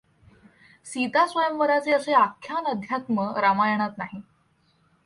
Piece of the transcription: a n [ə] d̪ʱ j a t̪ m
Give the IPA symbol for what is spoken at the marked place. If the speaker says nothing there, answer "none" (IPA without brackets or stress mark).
ə